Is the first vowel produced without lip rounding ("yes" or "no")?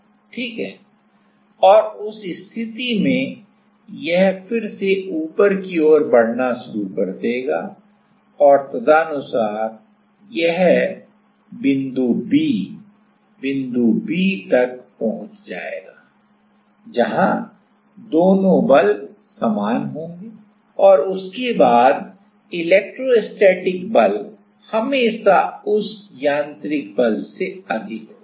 yes